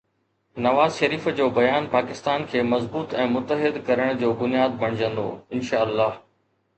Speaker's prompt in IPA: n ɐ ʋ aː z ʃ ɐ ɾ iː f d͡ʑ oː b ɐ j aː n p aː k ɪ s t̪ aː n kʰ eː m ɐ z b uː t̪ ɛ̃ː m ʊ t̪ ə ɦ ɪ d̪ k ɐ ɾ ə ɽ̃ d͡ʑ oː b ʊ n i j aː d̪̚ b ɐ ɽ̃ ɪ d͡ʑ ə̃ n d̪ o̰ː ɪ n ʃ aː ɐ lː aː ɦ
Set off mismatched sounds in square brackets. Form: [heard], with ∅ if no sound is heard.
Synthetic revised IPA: n ɐ ʋ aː z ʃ ɐ ɾ iː f d͡ʑ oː b ɐ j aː n p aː k ɪ s t̪ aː n kʰ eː m ɐ z b uː t̪ ɛ̃ː m ʊ t̪ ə ɦ ɪ d̪ k ɐ ɾ ə ɽ̃ d͡ʑ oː b ʊ n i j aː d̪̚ b ɐ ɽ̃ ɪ d͡ʑ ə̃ n d̪ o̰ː ɪ n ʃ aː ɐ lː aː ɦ